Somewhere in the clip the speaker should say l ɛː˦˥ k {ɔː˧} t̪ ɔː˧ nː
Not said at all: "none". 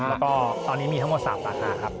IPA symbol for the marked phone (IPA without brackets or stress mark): ɔː˥˩